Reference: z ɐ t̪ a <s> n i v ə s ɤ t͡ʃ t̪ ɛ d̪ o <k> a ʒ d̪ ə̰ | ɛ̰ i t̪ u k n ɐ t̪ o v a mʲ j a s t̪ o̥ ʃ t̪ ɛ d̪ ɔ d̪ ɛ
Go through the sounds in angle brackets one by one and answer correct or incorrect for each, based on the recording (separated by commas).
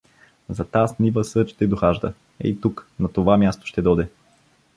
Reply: correct, incorrect